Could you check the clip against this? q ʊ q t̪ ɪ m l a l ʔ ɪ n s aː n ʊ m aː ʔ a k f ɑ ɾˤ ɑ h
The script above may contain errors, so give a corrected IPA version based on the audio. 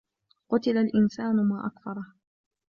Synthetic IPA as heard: q ʊ t̪ ɪ l a l ʔ ɪ n s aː n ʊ m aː ʔ a k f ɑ ɾˤ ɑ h